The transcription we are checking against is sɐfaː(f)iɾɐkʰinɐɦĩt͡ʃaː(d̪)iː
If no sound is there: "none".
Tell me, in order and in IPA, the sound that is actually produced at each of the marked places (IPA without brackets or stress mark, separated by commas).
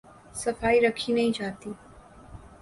none, t̪